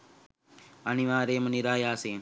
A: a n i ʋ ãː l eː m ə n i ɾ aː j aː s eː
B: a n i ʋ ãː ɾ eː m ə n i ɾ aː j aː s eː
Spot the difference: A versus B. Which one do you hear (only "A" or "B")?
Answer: B